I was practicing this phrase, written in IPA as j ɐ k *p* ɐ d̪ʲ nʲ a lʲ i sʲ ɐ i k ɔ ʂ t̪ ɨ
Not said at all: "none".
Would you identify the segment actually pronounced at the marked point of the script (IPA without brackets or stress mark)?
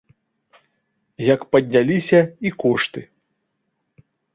p